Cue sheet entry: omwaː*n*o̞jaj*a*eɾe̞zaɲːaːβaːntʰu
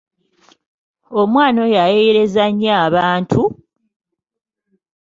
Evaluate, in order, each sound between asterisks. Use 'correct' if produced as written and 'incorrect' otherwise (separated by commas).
correct, incorrect